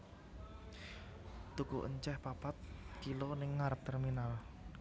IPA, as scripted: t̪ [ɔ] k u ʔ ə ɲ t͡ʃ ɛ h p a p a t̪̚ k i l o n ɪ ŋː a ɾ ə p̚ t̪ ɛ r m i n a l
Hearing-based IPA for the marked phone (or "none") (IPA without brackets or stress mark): u